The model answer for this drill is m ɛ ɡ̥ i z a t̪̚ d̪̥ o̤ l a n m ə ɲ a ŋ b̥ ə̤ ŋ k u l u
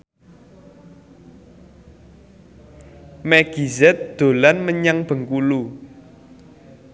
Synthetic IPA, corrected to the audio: m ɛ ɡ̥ i z ɛ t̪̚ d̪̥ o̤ l a n m ə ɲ a ŋ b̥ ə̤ ŋ k u l u